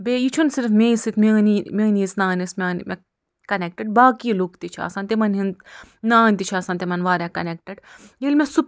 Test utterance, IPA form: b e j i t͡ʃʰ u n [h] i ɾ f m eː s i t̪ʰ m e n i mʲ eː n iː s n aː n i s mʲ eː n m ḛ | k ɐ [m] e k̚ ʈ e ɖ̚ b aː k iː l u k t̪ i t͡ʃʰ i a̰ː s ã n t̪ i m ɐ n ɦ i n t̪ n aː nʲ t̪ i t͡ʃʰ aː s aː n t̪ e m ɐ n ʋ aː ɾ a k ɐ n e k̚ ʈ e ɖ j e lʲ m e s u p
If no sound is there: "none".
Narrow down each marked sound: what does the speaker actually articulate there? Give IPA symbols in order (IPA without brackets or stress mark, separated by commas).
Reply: s, n